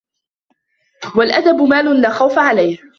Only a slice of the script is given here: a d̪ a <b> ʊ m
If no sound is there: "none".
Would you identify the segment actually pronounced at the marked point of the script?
b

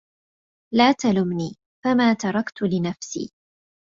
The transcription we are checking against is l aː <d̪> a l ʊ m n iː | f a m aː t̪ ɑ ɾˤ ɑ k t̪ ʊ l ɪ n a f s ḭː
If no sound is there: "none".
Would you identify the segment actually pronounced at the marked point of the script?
t̪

